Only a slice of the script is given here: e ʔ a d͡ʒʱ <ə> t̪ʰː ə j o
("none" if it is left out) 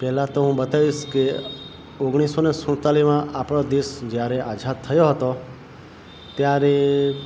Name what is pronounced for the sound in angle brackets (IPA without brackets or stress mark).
a